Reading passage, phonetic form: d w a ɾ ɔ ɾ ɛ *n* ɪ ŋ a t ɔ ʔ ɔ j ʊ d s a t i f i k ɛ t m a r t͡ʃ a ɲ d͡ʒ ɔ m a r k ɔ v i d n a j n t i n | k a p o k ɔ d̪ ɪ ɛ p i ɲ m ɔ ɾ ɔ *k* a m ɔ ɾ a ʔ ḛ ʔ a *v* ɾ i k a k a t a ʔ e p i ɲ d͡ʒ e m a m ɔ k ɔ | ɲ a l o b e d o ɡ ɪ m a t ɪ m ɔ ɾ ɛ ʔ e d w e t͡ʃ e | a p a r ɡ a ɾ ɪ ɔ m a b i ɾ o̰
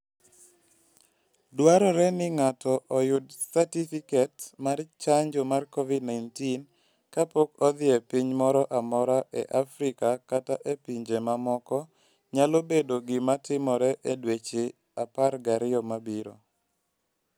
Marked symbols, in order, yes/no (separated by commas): yes, no, no